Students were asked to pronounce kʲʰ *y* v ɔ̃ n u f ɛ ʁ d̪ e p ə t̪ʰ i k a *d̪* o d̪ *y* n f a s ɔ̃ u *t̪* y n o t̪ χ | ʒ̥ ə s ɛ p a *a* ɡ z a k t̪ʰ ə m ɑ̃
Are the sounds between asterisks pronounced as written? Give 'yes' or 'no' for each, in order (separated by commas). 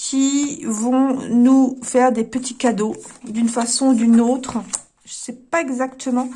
no, yes, yes, no, no